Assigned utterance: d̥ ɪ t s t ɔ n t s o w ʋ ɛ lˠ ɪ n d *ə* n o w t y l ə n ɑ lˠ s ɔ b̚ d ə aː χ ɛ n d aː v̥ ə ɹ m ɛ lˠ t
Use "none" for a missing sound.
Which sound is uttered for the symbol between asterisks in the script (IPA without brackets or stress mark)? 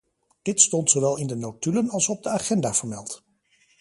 ə